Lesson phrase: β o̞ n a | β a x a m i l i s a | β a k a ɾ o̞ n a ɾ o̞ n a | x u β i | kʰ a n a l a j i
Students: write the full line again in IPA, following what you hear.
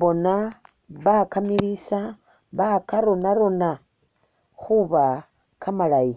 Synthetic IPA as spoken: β o̞ n a | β a k a m i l i s a | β a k a ɾ o̞ n a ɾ o̞ n a | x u β a | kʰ a m a l a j i